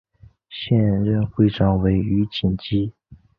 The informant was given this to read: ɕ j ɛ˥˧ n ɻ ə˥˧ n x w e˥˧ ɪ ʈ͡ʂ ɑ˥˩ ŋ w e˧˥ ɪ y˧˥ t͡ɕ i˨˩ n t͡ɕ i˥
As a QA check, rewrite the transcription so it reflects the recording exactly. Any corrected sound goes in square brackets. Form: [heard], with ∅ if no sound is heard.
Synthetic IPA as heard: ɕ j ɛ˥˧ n ɻ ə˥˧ n x w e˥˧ ɪ ʈ͡ʂ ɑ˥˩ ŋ w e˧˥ ɪ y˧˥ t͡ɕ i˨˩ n t͡ɕ i˥